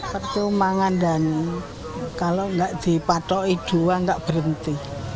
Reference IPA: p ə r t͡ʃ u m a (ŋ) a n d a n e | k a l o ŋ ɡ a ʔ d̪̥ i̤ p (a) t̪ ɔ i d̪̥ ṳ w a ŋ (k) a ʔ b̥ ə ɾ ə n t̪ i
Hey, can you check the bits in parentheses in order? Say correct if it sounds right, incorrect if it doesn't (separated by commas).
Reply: correct, correct, incorrect